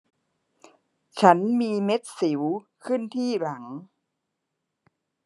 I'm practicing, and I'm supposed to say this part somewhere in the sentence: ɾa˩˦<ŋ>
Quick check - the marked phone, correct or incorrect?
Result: correct